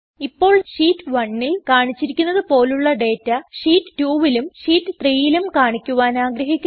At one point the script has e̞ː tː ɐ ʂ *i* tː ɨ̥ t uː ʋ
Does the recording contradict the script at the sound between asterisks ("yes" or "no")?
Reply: yes